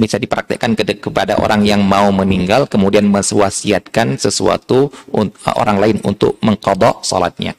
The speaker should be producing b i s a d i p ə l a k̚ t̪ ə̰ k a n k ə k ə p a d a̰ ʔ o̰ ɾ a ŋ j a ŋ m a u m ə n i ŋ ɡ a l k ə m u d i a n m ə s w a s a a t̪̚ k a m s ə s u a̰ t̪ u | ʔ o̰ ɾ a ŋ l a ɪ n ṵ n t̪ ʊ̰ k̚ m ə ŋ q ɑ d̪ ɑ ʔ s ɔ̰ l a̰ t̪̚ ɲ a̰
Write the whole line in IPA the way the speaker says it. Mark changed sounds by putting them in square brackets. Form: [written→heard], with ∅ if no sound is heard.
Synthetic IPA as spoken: b i s a d i p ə [l→ɾ] a k̚ t̪ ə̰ k a n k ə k ə p a d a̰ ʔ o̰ ɾ a ŋ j a ŋ m a u m ə n i ŋ ɡ a l k ə m u d i a n m ə s w a s [a→i] a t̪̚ k a [m→n] s ə s u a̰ t̪ u | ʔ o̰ ɾ a ŋ l a ɪ n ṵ n t̪ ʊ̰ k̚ m ə ŋ q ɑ d̪ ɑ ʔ s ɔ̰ l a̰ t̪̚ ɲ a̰